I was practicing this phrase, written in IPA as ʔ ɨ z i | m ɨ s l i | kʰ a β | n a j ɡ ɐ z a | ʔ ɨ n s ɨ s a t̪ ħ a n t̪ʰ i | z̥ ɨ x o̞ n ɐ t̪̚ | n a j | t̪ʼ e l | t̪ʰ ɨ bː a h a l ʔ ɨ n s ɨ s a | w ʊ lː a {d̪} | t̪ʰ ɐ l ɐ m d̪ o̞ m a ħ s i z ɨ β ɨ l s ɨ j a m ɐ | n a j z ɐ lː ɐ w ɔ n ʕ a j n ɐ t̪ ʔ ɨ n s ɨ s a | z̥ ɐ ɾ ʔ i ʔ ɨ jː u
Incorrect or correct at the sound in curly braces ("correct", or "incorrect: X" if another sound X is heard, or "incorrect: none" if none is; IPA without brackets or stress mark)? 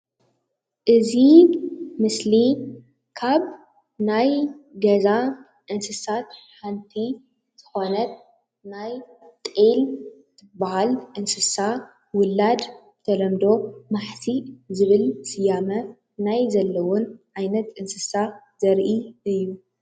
correct